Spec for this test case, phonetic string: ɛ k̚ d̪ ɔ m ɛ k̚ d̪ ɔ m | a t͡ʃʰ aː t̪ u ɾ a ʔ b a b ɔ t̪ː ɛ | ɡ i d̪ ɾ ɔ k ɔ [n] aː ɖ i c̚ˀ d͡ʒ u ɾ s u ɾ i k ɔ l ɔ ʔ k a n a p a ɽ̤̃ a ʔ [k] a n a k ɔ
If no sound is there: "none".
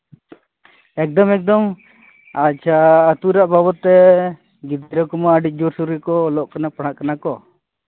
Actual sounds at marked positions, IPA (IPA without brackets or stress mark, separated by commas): m, k